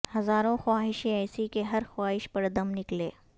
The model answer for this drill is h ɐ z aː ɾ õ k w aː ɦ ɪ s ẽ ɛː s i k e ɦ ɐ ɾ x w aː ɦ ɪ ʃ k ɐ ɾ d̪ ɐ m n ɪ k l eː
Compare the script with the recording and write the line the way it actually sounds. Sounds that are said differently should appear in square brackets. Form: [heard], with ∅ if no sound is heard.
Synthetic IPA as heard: h ɐ z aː ɾ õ [x] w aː ɦ ɪ [ʃ] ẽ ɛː s i k e ɦ ɐ ɾ x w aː ɦ ɪ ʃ [p] ɐ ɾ d̪ ɐ m n ɪ k l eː